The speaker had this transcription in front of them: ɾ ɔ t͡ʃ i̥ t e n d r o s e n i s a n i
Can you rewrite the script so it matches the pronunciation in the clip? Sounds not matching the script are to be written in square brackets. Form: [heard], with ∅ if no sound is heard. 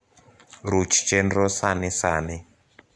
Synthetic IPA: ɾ [u] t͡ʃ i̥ [t͡ʃ] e n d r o s [a] n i s a n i